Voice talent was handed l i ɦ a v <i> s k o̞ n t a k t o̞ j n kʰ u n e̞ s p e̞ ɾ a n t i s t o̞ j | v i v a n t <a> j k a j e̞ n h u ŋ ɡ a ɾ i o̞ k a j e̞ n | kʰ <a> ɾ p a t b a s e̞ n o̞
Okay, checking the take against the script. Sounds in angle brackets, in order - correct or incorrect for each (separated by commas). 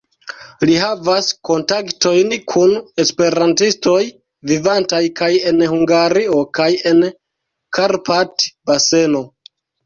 incorrect, correct, correct